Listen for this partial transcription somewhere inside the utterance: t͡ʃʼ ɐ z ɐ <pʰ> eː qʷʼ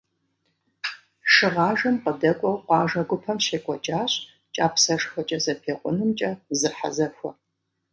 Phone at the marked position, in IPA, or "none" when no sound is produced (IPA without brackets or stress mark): pʰ